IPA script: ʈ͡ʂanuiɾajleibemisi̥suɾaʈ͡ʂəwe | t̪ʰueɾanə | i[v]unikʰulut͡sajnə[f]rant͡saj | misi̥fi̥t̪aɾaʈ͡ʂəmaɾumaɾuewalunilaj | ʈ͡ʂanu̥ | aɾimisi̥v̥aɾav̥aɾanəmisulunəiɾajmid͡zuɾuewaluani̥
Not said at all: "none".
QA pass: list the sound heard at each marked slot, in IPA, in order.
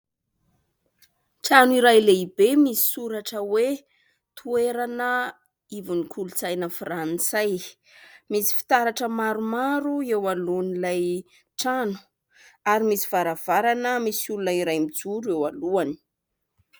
v, f

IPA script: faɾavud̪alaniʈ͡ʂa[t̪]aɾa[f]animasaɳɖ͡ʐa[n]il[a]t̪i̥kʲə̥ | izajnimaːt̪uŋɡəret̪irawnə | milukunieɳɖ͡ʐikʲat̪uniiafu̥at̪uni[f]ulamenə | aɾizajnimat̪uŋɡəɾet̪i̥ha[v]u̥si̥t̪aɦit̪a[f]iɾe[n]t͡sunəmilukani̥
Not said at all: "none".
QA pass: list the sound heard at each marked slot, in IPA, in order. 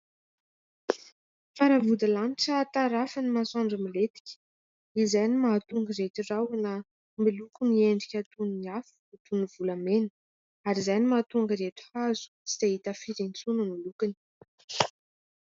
t̪, f, m, e, v, z, f, n

